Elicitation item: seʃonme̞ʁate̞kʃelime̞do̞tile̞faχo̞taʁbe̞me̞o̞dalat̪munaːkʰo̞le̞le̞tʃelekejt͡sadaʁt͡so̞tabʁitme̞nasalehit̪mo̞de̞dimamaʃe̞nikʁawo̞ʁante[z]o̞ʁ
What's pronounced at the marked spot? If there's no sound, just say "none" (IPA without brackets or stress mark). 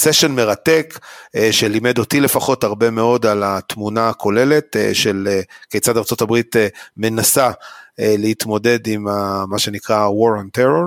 ʁ